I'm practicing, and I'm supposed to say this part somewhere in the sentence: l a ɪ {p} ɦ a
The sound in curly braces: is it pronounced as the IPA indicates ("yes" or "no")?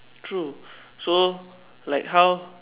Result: no